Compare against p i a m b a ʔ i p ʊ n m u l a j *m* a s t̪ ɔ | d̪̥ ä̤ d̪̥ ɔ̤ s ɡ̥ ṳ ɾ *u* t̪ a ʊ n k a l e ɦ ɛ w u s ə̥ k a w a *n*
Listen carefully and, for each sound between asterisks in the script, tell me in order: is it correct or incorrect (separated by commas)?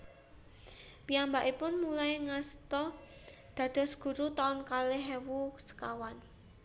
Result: incorrect, correct, correct